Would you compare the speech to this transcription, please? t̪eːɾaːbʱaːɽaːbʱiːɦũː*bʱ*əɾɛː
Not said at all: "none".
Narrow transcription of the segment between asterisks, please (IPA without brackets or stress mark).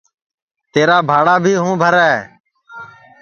bʱ